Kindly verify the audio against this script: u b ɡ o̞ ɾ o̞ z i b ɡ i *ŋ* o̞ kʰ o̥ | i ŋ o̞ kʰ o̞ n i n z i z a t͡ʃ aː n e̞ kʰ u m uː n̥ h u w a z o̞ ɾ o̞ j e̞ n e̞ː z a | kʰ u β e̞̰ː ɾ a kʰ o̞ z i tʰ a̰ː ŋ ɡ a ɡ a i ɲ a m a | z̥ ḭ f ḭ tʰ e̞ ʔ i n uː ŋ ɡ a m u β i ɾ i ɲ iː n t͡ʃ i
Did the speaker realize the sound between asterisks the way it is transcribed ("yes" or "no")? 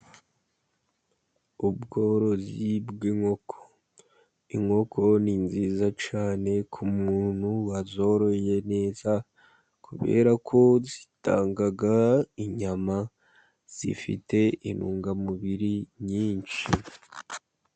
yes